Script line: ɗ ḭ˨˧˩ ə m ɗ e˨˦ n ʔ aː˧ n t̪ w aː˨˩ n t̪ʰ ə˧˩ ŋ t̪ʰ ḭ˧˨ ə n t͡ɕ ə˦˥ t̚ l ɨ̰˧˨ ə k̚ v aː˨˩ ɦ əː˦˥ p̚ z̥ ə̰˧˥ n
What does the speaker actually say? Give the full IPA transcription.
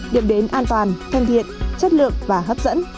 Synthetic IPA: ɗ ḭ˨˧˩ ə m ɗ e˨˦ n ʔ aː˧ n t̪ w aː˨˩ n t̪ʰ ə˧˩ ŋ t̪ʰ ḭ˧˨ ə n t͡ɕ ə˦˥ t̚ l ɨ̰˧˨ ə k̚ v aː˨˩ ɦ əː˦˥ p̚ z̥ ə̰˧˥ n